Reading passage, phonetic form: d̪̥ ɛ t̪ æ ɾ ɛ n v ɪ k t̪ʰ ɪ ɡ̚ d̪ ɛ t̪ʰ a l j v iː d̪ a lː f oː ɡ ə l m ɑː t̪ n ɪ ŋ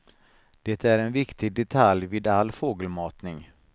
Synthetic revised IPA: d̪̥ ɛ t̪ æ ɾ ɛ n v ɪ k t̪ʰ ɪ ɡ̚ d̪ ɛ t̪ʰ a l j v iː d̪ a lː f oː ɡ ə l m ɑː t̪ n ɪ ŋ